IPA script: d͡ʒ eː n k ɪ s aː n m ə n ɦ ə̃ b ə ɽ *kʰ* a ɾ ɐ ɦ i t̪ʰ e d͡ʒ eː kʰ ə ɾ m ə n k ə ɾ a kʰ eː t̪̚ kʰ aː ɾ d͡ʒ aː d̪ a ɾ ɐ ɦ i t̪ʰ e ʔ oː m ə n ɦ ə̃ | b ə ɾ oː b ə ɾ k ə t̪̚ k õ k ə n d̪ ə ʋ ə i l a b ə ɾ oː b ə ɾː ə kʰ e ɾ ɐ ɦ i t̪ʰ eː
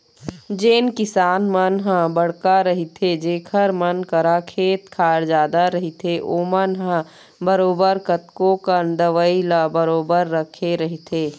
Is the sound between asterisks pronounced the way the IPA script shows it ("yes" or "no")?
no